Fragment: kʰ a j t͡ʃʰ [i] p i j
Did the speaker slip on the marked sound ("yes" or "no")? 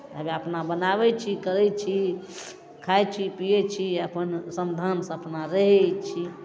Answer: no